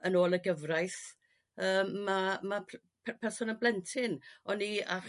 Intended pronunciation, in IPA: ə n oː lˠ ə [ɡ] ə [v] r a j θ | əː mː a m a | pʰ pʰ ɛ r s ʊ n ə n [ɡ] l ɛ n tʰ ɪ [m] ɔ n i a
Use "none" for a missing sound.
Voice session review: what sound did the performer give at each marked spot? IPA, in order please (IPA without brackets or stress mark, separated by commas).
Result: ɡ, v, b, n